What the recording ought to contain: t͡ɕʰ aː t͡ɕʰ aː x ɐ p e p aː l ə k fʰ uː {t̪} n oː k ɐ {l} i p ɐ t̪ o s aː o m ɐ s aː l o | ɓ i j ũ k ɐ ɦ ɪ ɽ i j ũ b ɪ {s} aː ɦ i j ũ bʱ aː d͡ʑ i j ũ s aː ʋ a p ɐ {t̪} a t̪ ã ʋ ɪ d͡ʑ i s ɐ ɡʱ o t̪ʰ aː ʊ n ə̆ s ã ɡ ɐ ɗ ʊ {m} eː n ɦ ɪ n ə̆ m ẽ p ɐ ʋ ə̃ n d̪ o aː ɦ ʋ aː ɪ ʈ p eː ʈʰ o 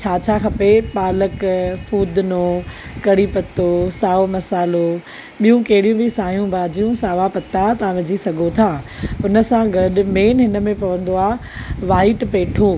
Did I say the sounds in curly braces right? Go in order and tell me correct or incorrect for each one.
incorrect, incorrect, correct, correct, correct

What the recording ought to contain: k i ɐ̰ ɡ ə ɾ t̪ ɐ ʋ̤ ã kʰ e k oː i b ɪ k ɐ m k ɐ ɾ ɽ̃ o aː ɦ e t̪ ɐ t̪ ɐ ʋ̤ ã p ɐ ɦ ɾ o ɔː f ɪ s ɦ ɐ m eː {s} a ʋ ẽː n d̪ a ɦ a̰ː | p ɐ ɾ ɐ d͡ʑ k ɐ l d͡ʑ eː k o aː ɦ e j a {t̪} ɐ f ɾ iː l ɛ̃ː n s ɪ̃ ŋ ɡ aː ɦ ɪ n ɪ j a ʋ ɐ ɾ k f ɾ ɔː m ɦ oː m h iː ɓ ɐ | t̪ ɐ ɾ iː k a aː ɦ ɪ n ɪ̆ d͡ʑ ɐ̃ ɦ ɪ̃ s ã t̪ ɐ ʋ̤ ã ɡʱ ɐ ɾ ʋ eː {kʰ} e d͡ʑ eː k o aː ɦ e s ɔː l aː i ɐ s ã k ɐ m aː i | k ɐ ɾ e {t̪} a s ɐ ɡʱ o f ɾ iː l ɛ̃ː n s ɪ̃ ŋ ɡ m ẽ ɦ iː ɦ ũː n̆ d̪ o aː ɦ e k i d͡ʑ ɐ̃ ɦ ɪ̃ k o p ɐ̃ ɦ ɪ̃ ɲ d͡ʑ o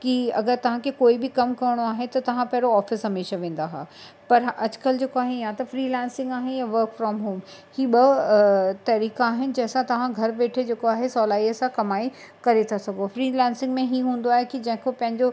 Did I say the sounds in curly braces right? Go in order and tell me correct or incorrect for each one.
incorrect, correct, incorrect, incorrect

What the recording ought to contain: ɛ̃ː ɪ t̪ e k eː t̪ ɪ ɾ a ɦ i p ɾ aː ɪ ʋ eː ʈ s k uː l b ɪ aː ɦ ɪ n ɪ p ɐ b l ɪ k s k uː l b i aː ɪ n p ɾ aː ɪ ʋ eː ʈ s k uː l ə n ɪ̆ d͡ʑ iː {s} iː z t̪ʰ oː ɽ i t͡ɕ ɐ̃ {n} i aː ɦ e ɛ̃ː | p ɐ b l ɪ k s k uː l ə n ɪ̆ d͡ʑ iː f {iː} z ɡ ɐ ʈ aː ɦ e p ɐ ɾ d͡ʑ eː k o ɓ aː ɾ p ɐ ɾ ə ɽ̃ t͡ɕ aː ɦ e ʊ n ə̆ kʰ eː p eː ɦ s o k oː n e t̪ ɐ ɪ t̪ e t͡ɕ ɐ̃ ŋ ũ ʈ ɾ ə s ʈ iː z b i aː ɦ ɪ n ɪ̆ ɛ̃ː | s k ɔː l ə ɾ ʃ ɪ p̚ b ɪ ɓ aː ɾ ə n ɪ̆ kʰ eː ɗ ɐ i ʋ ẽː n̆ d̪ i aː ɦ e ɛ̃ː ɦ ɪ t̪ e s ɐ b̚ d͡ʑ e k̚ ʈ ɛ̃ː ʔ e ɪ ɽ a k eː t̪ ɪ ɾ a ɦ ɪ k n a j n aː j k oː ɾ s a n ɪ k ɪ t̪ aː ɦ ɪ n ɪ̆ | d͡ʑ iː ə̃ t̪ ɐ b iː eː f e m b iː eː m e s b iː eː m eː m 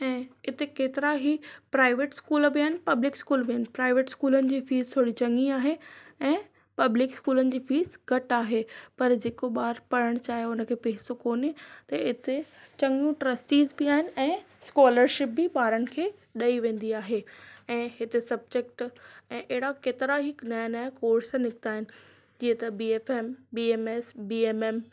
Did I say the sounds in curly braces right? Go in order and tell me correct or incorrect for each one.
incorrect, incorrect, correct

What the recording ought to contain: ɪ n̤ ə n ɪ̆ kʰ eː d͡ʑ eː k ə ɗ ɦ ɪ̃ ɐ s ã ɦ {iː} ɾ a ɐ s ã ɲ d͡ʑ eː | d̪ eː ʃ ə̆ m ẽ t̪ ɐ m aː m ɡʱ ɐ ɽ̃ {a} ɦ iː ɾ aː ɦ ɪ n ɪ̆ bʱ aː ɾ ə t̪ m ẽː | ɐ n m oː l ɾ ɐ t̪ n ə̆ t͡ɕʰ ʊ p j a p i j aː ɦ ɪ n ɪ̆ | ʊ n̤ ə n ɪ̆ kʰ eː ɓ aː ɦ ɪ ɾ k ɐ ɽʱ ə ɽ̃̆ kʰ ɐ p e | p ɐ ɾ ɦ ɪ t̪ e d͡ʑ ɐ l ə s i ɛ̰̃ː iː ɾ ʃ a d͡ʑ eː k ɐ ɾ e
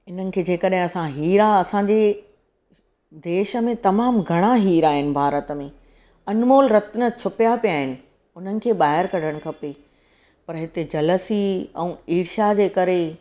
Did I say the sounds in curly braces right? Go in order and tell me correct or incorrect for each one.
correct, correct

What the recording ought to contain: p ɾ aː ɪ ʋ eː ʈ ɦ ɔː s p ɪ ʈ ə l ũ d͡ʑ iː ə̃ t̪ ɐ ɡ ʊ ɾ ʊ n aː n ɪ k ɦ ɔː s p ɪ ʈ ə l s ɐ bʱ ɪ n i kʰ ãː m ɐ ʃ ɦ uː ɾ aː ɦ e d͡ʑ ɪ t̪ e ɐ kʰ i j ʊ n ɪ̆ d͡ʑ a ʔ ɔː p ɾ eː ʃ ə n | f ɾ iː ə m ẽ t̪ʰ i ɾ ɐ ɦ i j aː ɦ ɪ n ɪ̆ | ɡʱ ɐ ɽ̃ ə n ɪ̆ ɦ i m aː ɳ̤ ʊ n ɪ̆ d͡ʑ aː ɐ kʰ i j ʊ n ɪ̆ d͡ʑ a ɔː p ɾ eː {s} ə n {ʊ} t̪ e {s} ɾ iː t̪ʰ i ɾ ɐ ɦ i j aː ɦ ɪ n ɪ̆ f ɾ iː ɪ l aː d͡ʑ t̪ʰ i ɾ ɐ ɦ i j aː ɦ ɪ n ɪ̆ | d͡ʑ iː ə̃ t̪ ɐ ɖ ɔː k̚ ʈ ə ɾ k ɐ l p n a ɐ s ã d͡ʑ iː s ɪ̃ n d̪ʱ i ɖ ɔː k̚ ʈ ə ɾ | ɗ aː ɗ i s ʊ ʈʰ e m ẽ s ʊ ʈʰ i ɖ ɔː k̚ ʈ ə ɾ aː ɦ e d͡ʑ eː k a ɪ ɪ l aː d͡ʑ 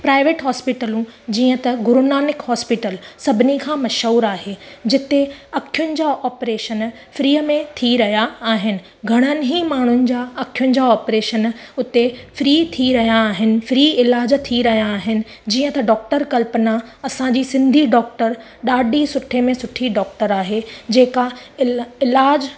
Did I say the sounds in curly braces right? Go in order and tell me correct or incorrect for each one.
incorrect, correct, incorrect

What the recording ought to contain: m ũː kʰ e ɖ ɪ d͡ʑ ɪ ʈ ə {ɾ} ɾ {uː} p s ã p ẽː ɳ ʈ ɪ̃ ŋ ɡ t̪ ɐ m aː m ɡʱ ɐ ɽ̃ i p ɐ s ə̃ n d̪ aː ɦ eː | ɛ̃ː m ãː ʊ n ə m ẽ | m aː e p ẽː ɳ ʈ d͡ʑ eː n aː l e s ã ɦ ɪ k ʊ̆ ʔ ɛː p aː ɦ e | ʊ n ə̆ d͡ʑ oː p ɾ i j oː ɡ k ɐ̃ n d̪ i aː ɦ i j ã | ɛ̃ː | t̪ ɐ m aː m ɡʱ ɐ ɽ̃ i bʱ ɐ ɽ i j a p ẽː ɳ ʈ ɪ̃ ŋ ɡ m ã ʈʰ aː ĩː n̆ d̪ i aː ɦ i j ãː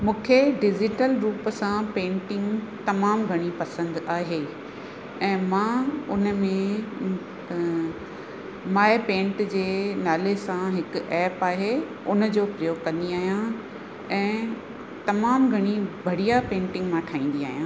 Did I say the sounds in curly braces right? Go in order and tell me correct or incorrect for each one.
incorrect, correct

